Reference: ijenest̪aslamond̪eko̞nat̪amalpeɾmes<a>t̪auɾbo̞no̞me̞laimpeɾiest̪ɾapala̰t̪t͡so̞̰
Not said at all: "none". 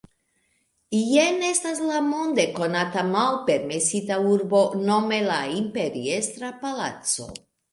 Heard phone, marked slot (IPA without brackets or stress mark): i